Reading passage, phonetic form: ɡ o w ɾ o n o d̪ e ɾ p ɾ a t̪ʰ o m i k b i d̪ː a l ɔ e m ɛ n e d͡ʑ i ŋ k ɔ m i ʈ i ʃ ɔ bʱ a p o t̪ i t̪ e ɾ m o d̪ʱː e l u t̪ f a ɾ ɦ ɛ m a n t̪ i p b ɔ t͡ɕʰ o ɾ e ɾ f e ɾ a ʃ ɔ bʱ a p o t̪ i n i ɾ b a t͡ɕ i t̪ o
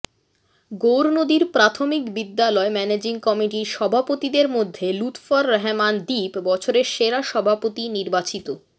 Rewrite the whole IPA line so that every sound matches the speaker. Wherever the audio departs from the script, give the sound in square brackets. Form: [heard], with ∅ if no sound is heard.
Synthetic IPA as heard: ɡ o w ɾ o n o d̪ [i] ɾ p ɾ a t̪ʰ o m i k b i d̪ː a l ɔ e m ɛ n e d͡ʑ i ŋ k ɔ m i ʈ i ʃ ɔ bʱ a p o t̪ i [d̪] e ɾ m o d̪ʱː e l u t̪ f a ɾ ɦ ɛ m a n [d̪] i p b ɔ t͡ɕʰ o ɾ e ɾ [ʃ] e ɾ a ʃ ɔ bʱ a p o t̪ i n i ɾ b a t͡ɕ i t̪ o